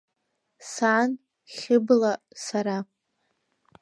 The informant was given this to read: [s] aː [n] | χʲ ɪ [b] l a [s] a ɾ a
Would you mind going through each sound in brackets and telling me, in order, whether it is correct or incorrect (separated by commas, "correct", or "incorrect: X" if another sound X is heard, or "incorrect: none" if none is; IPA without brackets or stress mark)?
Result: correct, correct, correct, correct